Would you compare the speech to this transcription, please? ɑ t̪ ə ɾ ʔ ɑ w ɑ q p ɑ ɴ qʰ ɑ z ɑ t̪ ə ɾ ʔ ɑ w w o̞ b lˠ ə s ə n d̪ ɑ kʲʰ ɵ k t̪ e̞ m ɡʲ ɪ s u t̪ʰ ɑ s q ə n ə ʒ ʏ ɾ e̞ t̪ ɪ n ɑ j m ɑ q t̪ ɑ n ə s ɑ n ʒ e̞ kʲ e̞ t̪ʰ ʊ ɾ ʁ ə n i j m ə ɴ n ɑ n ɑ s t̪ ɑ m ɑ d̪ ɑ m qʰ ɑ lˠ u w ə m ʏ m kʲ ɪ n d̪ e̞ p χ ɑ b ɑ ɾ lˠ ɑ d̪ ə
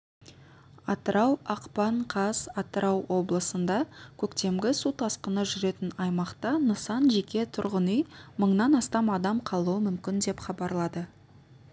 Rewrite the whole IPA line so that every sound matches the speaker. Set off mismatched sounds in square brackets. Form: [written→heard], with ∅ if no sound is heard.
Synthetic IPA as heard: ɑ t̪ ə ɾ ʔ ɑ w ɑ q p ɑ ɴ qʰ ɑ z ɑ t̪ ə ɾ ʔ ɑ w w o̞ b lˠ ə s ə n d̪ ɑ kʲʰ ɵ k t̪ e̞ m ɡʲ ɪ s u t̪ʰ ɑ s q ə n ə ʒ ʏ ɾ e̞ t̪ ɪ n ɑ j m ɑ q t̪ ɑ n ə s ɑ n ʒ e̞ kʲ e̞ t̪ʰ ʊ ɾ ʁ ə n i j m ə ɴ n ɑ n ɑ s t̪ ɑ m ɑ d̪ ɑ m qʰ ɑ lˠ u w ə m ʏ m kʲ ɪ n d̪ e̞ p χ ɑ b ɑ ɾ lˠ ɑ d̪ ə